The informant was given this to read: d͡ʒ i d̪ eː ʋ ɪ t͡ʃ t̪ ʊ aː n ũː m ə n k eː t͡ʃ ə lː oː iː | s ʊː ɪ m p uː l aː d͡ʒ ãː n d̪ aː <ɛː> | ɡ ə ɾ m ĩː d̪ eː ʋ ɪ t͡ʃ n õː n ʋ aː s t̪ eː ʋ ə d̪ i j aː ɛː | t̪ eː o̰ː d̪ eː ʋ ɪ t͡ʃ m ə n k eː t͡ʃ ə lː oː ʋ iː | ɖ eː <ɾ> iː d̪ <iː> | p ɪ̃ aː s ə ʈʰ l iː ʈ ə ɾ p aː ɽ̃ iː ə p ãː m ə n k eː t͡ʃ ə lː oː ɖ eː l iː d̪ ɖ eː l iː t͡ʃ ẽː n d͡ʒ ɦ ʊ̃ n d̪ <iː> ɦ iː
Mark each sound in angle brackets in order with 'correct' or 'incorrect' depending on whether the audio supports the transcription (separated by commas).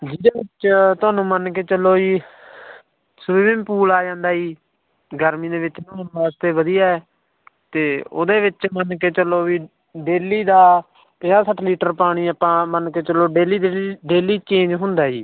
incorrect, incorrect, incorrect, incorrect